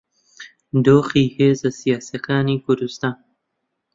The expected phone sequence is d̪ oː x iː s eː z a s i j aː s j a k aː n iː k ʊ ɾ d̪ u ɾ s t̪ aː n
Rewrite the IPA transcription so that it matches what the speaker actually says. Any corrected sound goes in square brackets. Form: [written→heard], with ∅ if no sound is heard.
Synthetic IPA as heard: d̪ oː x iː [s→h] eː z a s i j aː s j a k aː n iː k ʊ ɾ d̪ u [ɾ→∅] s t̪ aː n